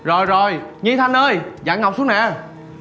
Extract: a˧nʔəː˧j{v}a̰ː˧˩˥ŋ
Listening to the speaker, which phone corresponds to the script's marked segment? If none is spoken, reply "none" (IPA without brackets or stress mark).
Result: z